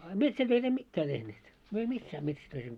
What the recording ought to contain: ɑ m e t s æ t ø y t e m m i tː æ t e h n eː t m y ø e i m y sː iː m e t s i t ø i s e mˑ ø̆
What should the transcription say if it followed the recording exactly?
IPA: ɑ m e t s æ t ø i t e m m i tː æː t e h n eː t m y ø e i m i sː æː m e t s æ t ø i s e mˑ ø̆